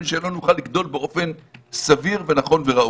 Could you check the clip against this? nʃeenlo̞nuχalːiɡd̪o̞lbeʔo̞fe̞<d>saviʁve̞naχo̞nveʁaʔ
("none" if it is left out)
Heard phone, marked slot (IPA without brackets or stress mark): n